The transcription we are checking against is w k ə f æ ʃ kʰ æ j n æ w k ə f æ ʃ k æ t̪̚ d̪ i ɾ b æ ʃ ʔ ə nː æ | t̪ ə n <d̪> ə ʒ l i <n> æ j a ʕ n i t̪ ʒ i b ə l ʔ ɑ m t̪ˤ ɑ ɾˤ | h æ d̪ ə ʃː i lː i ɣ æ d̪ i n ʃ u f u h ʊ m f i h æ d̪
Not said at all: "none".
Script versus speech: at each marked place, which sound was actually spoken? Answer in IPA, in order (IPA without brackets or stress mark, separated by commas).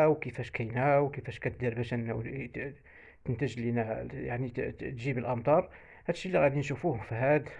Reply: t̪, n